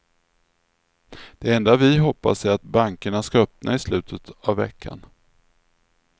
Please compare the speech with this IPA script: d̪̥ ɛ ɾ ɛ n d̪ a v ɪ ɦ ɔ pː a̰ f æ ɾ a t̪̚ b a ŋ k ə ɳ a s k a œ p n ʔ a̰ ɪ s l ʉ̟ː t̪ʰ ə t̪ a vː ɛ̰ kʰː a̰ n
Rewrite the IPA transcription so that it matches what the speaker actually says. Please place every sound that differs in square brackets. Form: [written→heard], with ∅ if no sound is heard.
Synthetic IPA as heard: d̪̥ ɛ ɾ ɛ n d̪ a v ɪ ɦ ɔ pː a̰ [f→s] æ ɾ a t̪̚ b a ŋ k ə ɳ a s k a œ p n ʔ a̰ ɪ s l ʉ̟ː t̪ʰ ə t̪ a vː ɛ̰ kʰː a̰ n